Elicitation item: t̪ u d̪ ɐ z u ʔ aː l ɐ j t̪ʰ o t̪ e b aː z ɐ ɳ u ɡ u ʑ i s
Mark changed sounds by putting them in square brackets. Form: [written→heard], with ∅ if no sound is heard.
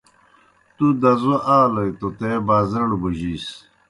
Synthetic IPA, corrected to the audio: t̪ u d̪ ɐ z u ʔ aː l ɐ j [t̪ʰ→t̪] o t̪ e b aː z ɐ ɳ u [ɡ→b] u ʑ i s